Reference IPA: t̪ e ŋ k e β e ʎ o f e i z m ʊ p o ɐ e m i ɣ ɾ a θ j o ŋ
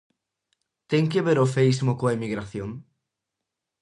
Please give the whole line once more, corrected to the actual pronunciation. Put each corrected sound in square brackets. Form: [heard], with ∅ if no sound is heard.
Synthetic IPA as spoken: t̪ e ŋ k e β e [ɾ] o f e i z m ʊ [k] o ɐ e m i ɣ ɾ a θ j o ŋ